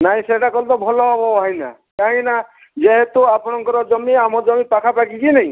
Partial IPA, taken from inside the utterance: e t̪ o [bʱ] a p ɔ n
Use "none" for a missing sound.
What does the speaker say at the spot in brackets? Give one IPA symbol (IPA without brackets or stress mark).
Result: none